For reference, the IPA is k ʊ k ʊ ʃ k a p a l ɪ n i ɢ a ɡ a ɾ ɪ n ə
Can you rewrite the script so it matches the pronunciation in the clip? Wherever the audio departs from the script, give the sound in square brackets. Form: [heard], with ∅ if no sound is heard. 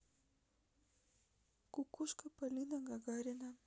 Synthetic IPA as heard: k ʊ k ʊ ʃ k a p a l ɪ n [a] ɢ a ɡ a ɾ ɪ n [a]